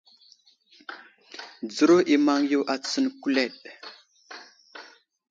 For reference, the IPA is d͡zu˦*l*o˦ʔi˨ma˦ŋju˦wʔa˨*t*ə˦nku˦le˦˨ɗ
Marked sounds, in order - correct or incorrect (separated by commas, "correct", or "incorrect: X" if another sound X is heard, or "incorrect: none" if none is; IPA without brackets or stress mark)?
incorrect: ɾ, incorrect: t͡s